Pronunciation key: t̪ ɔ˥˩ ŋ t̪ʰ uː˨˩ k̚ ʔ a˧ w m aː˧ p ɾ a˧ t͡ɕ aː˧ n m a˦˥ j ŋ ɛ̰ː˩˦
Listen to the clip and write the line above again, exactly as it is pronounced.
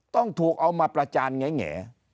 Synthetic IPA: t̪ ɔ˥˩ ŋ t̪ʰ uː˨˩ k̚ ʔ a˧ w m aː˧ p ɾ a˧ t͡ɕ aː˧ n ŋ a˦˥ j ŋ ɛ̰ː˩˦